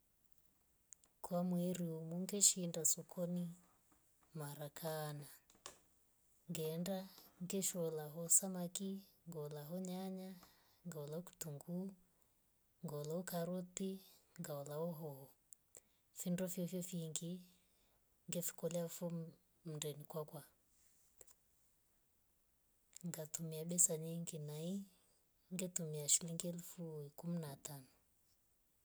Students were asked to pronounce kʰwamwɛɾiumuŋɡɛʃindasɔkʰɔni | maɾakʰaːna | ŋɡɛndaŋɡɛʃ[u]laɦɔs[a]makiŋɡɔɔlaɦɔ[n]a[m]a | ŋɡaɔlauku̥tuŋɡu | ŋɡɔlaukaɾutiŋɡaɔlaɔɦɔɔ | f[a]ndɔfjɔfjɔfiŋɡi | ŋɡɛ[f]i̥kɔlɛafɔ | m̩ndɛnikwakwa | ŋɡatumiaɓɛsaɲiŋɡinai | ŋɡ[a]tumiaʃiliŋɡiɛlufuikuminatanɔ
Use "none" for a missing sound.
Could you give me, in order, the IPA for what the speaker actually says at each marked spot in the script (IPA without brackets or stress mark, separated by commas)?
ɔ, a, ɲ, ɲ, i, f, ɛ